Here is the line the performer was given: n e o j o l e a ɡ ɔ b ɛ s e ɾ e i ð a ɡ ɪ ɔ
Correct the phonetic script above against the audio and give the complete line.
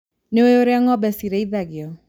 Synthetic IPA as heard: n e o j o ɾ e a ŋ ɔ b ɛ s i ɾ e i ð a ɡ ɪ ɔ